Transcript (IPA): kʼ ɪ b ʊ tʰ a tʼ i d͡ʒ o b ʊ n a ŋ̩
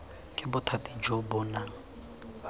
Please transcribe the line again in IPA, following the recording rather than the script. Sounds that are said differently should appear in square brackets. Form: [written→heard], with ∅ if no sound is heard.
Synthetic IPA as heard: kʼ ɪ b ʊ tʰ a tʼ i d͡ʒ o b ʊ n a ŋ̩